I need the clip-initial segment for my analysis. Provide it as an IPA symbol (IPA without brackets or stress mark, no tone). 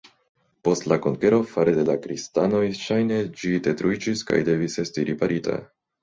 p